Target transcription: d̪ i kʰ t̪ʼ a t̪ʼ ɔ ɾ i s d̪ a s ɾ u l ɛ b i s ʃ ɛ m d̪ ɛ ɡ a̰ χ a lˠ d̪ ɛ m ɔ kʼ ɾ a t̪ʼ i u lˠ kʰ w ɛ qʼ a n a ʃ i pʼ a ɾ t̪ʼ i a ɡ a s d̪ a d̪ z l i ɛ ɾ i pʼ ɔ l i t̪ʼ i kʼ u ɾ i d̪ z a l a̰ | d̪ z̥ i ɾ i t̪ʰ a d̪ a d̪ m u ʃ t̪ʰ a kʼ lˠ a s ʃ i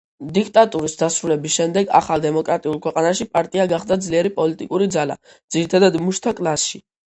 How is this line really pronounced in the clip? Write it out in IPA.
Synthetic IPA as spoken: d̪ i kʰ t̪ʼ a t̪ʼ u ɾ i s d̪ a s ɾ u l ɛ b i s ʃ ɛ m d̪ ɛ ɡ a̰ χ a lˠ d̪ ɛ m ɔ kʼ ɾ a t̪ʼ i u lˠ kʰ w ɛ qʼ a n a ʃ i pʼ a ɾ t̪ʼ i a ɡ a χ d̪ a d̪ z l i ɛ ɾ i pʼ ɔ l i t̪ʼ i kʼ u ɾ i d̪ z a l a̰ | d̪ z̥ i ɾ i t̪ʰ a d̪ a d̪ m u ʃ t̪ʰ a kʼ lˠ a s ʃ i